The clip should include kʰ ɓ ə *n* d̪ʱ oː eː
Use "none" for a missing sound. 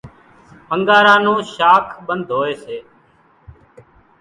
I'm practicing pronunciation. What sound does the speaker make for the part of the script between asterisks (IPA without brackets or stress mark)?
n